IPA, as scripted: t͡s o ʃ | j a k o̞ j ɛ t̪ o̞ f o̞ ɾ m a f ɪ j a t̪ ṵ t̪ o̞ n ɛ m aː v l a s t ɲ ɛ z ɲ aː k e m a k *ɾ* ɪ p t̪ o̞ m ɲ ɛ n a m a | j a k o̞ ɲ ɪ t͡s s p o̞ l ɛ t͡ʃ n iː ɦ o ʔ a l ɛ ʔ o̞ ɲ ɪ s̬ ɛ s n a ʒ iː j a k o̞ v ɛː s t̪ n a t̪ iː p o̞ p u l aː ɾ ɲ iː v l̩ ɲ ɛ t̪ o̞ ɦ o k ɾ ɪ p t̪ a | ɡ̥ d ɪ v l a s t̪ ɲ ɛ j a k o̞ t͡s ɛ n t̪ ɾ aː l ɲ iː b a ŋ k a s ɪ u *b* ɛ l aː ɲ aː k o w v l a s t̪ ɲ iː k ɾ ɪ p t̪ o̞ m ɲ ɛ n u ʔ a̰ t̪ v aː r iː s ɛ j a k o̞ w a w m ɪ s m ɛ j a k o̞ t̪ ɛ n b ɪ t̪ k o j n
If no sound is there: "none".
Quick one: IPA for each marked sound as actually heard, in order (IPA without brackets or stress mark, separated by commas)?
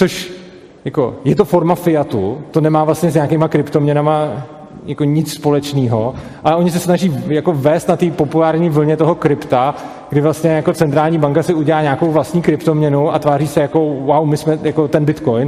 ɾ, ɟ